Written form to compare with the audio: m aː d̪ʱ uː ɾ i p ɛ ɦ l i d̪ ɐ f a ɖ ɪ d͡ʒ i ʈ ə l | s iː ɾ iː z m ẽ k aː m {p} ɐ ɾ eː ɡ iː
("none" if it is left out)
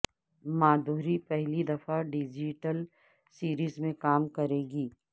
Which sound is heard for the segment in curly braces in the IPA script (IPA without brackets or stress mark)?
k